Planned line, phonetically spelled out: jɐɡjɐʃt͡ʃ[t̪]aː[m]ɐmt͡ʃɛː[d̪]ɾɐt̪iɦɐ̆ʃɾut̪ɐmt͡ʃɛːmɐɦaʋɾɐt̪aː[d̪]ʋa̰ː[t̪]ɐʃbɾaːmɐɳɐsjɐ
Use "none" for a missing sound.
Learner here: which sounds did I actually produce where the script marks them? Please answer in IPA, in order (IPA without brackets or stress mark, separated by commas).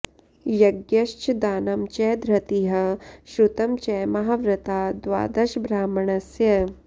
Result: d̪, n, d̪, d̪, d̪